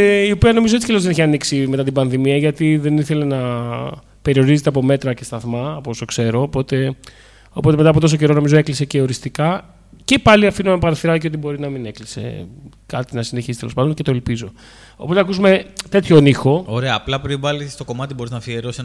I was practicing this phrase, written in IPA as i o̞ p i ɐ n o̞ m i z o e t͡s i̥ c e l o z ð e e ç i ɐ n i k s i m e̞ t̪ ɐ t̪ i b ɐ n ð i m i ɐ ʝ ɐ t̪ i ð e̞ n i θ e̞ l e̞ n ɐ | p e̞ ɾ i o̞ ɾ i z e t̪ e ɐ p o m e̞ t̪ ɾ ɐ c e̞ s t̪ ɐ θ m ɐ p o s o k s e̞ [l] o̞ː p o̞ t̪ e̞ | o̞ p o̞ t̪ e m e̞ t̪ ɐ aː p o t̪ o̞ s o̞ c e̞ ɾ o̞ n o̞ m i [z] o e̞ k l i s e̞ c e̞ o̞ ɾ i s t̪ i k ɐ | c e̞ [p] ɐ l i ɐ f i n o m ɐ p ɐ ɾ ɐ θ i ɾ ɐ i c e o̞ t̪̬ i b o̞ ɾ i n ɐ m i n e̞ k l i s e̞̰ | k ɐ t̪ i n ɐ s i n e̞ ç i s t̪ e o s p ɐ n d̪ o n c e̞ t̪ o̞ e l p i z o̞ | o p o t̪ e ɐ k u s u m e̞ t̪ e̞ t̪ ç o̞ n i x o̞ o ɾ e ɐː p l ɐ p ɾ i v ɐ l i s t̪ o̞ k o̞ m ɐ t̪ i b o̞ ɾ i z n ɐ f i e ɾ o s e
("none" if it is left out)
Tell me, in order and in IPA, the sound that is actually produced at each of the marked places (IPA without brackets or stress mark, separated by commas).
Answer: ɾ, z, p